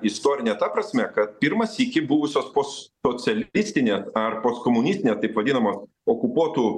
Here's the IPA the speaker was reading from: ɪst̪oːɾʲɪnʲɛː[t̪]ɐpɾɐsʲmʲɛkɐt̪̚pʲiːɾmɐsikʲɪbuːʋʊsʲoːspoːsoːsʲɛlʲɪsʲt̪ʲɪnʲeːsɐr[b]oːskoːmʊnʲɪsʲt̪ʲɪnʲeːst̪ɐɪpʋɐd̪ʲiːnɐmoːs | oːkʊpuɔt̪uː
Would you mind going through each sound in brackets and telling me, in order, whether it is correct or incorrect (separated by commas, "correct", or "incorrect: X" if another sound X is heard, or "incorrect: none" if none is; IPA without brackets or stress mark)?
correct, incorrect: p